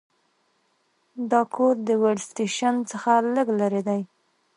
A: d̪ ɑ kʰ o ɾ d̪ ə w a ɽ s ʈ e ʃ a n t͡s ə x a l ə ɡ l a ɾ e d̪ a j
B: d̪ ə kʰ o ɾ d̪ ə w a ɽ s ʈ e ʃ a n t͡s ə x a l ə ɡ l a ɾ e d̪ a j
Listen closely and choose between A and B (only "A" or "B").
A